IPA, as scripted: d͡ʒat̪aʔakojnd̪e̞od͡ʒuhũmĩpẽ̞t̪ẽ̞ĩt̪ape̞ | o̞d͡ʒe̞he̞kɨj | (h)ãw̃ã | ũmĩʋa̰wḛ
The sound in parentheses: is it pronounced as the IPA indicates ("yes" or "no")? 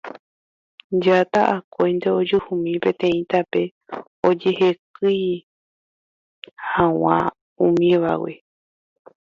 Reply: yes